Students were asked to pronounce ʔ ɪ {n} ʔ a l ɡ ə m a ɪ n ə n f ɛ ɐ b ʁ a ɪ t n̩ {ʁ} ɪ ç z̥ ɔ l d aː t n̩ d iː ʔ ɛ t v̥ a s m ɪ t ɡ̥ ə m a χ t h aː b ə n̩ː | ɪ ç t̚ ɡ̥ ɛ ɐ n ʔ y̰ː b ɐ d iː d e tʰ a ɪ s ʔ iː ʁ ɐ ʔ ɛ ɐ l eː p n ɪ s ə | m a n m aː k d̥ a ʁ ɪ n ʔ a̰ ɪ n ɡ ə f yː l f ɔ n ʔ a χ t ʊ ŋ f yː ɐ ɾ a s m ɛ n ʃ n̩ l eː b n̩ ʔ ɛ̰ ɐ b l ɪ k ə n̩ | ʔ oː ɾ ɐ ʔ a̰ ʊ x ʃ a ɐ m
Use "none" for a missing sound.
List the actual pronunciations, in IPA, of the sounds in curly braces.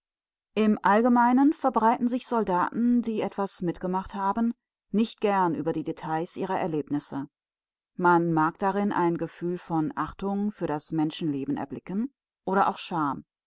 m, z

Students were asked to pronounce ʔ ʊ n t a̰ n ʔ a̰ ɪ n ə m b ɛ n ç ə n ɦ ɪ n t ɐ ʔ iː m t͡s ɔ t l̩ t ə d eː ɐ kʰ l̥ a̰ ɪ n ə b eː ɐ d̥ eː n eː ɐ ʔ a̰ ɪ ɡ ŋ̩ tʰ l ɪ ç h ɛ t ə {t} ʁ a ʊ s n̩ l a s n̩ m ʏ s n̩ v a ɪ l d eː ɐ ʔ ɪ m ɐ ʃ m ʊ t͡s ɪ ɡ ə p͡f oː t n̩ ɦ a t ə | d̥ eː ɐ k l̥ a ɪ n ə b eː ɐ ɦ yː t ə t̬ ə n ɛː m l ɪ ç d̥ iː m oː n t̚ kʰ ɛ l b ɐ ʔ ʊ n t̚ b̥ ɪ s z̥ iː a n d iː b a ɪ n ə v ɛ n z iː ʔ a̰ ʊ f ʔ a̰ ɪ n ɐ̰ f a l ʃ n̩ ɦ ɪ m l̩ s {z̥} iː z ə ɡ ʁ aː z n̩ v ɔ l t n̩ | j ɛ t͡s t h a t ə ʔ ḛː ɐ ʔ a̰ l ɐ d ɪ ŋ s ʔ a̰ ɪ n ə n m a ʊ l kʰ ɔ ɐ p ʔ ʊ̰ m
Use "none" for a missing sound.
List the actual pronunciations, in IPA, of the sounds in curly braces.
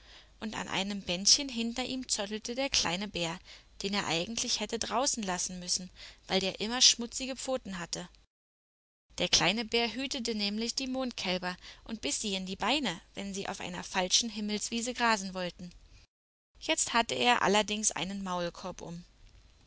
d, v̥

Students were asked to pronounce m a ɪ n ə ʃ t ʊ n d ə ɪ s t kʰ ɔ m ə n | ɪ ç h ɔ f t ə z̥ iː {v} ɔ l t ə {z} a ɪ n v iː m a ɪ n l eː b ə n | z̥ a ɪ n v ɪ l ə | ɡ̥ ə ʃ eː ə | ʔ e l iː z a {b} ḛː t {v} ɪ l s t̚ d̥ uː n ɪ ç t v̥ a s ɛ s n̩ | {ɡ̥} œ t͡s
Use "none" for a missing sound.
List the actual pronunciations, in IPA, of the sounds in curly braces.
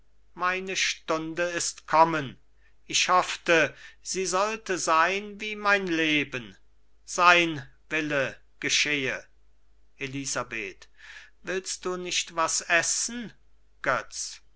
z, z, b, v, ɡ̥

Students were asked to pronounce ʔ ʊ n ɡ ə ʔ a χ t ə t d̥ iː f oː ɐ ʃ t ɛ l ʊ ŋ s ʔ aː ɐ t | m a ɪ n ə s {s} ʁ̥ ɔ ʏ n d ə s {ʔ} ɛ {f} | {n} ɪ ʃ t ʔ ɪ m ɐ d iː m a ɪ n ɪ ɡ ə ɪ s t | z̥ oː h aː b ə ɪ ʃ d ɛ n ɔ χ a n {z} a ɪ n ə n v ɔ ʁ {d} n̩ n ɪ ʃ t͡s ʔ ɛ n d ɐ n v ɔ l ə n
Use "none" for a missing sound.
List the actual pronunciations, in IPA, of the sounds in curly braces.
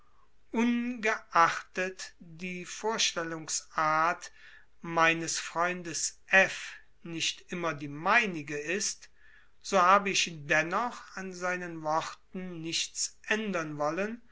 f, ʔ, f, n, z, t

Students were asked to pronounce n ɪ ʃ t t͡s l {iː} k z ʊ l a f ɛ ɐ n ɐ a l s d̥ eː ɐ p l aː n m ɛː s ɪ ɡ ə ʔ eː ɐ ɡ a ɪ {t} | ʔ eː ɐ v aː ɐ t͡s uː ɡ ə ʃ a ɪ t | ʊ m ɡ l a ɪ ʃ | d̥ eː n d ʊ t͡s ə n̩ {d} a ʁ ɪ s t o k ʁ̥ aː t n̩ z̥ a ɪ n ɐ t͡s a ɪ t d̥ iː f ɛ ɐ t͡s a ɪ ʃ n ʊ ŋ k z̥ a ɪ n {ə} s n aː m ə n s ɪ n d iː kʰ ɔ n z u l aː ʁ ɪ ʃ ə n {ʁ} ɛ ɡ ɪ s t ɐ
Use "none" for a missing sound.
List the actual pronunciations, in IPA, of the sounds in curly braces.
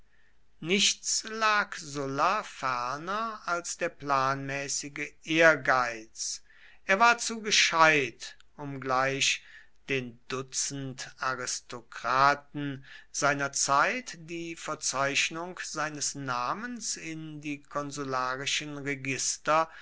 aː, t͡s, t, ə, ʁ

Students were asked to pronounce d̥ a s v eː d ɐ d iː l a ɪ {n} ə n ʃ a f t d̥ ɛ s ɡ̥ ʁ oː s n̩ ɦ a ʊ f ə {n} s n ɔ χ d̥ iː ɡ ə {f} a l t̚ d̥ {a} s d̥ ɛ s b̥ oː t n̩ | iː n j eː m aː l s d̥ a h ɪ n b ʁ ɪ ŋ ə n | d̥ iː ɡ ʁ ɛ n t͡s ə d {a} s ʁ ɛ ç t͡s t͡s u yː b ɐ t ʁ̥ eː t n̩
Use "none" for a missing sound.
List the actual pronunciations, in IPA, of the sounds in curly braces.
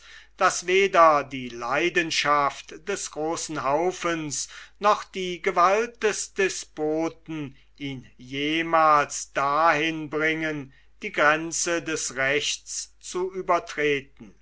d, n, v, ɛ, ɛ

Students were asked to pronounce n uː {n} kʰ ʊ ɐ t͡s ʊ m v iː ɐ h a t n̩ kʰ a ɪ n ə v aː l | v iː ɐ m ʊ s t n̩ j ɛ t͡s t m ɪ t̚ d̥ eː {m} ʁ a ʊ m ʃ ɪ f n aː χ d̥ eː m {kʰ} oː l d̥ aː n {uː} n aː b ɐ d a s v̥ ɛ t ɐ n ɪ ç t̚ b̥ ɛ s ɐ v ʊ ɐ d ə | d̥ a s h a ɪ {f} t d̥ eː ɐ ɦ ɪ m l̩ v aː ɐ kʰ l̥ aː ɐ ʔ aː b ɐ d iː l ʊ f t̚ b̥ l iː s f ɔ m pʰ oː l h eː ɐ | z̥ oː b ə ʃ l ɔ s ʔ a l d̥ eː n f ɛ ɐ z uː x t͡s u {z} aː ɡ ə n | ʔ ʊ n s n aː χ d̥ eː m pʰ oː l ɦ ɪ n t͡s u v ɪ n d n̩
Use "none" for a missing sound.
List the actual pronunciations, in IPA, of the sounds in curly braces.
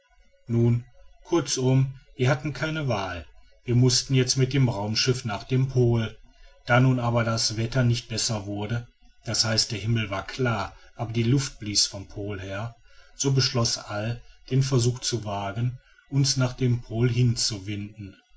n, m, pʰ, uː, s, v

